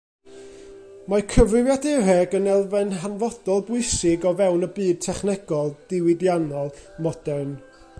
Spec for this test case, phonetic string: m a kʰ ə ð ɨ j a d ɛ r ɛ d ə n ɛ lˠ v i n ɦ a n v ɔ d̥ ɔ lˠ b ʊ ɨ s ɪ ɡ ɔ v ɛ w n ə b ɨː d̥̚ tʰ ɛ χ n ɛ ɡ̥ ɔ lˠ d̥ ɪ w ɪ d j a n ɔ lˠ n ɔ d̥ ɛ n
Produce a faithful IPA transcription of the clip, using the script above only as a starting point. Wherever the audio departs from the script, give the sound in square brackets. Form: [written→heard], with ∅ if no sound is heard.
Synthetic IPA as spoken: m a kʰ ə [ð→v] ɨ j a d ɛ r ɛ [d→ɡ] ə n ɛ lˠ v [i→ɛ] n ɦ a n v ɔ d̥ ɔ lˠ b ʊ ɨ s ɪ ɡ ɔ v ɛ w n ə b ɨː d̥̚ tʰ ɛ χ n ɛ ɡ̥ ɔ lˠ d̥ ɪ w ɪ d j a n ɔ lˠ [n→m] ɔ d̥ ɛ n